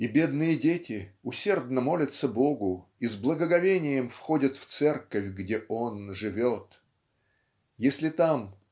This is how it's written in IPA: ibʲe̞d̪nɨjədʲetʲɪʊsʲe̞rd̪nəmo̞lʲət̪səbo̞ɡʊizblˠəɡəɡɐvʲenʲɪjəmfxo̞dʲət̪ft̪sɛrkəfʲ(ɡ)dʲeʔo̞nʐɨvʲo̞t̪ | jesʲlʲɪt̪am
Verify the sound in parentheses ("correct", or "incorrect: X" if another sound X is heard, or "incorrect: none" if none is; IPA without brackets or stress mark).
correct